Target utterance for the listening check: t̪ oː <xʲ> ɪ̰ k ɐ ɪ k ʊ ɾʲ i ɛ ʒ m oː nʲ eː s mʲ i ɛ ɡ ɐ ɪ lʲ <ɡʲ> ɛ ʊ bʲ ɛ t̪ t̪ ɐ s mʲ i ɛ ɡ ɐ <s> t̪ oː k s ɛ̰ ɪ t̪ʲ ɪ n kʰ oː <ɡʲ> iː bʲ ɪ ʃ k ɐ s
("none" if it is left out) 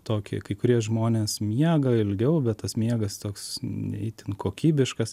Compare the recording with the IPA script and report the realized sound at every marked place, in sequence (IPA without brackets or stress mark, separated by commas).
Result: kʲ, ɡʲ, s, kʲ